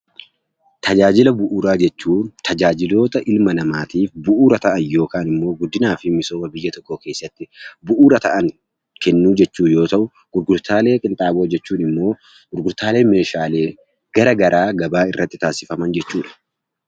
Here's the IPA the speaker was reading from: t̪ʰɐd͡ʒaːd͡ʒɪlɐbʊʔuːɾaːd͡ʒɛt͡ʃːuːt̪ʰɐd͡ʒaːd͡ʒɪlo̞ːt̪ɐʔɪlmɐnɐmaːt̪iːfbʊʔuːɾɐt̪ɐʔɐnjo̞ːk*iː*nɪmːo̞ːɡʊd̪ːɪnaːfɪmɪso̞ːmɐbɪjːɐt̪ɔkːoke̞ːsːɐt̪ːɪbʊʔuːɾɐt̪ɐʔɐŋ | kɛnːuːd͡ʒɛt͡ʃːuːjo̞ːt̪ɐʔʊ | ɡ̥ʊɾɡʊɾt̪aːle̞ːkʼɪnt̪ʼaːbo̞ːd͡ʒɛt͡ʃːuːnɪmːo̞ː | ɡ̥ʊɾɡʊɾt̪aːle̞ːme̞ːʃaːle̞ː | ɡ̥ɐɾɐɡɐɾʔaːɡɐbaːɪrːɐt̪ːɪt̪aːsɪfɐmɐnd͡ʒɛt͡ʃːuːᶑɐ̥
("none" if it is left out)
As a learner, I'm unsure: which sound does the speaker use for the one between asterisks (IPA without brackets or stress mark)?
aː